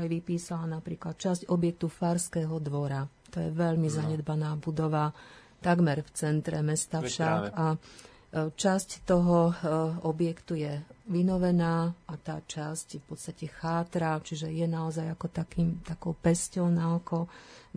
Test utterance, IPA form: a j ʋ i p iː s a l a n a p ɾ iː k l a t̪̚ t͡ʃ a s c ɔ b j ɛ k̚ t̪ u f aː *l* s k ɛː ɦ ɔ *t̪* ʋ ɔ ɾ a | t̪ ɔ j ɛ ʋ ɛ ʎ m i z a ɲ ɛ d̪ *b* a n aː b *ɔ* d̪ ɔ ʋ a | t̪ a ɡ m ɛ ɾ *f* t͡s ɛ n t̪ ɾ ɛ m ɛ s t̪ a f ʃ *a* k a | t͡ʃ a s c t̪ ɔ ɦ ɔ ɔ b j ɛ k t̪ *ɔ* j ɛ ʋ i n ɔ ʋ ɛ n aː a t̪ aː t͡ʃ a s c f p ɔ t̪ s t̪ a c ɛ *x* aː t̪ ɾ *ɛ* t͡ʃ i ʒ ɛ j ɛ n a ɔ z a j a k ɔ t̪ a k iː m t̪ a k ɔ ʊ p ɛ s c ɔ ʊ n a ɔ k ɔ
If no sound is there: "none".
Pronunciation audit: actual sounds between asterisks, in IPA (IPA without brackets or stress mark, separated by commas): ɾ, d̪, b, u, f, a, u, x, a